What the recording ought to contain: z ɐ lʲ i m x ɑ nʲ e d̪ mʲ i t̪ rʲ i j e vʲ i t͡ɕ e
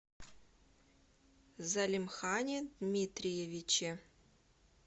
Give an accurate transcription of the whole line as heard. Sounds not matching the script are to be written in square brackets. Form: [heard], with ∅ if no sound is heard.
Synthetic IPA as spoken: z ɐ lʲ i m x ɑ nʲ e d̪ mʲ i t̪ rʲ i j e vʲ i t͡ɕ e